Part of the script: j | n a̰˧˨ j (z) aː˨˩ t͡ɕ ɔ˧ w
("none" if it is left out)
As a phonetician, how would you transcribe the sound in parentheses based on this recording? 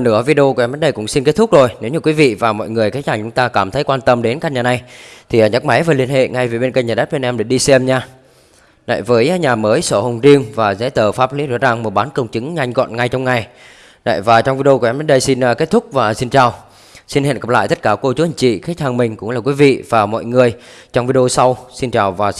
v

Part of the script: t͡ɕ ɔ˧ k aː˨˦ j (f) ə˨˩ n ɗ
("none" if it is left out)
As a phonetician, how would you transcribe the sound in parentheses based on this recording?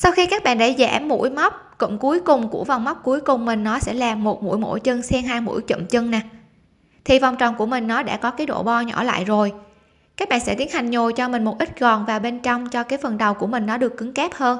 f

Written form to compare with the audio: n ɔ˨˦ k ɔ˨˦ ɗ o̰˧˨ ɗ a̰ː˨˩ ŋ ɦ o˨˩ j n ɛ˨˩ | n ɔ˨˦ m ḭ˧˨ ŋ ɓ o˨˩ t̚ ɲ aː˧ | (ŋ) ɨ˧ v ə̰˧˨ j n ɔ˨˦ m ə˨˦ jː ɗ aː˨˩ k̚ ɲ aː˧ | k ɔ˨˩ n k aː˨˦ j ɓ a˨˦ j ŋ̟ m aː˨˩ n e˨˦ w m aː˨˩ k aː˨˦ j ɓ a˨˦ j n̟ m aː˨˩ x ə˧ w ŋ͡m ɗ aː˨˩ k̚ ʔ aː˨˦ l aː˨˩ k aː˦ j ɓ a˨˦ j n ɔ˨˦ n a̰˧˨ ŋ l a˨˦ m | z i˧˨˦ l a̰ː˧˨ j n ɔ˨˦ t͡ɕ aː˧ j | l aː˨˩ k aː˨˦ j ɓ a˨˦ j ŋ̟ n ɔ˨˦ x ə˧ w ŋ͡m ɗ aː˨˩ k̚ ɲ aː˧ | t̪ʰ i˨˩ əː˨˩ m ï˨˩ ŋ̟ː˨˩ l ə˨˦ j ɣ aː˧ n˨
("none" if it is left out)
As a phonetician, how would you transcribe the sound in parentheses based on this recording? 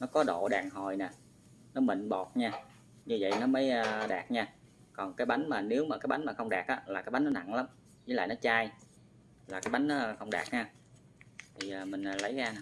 ɲ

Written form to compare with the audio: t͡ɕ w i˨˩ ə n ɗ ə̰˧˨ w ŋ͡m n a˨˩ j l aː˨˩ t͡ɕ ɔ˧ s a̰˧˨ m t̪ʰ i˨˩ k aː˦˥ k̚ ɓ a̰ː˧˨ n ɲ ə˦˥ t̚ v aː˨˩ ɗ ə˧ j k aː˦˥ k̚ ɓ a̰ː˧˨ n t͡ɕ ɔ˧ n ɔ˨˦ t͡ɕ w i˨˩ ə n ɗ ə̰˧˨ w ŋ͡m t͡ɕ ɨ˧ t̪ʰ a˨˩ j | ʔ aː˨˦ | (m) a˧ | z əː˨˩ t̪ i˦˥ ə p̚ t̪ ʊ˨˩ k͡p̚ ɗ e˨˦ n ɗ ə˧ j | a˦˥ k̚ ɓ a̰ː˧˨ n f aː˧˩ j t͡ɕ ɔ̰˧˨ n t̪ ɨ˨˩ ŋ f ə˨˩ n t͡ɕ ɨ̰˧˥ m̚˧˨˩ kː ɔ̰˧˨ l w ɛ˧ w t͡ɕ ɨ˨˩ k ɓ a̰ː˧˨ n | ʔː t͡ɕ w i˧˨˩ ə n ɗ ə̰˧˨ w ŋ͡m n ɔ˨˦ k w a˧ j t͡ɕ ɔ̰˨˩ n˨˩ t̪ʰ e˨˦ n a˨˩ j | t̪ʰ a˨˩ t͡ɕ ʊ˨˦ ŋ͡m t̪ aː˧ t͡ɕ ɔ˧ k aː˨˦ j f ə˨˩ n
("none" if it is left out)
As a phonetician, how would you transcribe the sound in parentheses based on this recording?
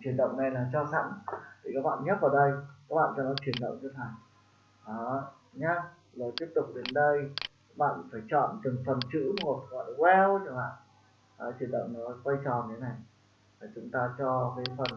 ɲ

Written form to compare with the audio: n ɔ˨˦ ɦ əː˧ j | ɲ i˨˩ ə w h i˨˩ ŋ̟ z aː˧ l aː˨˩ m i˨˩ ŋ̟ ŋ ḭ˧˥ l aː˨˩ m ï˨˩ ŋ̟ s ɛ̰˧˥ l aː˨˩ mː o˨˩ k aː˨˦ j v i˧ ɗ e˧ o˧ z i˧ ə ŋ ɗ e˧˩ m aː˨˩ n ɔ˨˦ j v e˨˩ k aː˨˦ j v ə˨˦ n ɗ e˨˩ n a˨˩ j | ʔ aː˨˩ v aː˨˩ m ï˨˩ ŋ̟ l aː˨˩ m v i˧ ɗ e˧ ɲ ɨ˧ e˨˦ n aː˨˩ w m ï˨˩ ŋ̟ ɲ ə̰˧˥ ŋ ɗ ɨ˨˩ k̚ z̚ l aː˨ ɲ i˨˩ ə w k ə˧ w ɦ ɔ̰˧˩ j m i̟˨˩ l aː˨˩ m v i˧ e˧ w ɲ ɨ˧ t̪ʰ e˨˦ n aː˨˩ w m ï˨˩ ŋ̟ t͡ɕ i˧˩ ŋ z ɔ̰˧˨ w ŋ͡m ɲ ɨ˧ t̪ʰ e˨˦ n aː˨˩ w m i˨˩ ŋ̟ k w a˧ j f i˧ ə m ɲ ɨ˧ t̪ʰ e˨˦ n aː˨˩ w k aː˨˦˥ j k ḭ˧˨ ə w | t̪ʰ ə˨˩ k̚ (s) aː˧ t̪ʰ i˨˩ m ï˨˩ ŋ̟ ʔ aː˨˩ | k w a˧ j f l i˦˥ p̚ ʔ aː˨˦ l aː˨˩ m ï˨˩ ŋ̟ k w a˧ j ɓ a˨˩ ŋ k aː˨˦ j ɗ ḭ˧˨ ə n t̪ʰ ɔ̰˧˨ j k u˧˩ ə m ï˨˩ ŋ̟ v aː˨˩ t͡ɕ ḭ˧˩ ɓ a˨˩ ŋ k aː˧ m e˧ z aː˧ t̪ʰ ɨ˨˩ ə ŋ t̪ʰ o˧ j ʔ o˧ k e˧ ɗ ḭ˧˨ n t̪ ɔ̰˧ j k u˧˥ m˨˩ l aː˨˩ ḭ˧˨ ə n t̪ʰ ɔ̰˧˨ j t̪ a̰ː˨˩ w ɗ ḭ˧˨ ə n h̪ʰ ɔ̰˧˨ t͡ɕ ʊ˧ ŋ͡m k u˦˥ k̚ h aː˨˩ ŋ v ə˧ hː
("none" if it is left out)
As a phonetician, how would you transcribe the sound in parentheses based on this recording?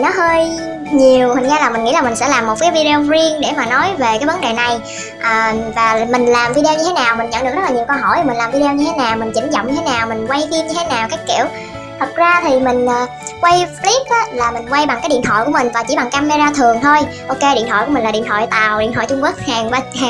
z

